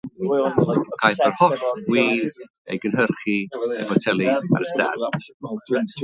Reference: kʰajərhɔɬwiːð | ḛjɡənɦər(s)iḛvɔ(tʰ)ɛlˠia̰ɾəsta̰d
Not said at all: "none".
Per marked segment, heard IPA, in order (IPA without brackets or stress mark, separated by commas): χ, tʰ